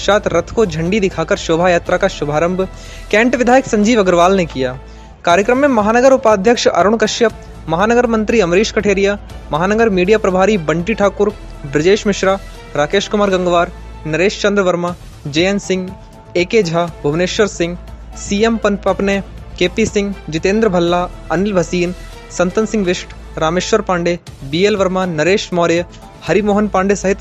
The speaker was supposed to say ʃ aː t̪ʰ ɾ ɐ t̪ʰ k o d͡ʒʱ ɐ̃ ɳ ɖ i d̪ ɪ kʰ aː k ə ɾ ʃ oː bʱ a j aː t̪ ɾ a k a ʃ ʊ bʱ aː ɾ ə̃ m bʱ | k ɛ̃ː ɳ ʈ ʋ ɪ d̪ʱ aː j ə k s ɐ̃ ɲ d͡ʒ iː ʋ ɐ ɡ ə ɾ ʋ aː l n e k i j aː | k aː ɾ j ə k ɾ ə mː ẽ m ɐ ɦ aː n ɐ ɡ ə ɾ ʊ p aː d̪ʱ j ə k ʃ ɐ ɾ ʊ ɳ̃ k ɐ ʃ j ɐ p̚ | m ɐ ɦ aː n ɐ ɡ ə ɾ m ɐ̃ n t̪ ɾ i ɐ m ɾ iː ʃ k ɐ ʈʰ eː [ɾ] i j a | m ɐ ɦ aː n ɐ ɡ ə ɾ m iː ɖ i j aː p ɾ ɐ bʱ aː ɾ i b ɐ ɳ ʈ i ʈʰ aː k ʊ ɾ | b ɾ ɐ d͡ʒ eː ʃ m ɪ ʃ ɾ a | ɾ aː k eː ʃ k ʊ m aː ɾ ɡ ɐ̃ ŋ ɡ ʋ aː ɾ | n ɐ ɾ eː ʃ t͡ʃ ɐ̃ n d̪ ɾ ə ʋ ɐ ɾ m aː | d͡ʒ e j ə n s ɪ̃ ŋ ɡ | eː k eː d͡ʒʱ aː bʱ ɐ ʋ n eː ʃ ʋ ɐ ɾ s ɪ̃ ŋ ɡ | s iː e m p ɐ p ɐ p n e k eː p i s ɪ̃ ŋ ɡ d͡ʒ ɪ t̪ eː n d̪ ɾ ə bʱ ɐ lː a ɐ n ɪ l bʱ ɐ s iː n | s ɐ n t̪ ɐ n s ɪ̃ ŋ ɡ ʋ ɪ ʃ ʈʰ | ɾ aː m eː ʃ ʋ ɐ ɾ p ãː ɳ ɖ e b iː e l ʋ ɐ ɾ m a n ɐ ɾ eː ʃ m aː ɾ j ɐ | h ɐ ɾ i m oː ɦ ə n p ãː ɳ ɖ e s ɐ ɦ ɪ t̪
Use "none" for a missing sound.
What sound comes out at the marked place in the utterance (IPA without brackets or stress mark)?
ɾ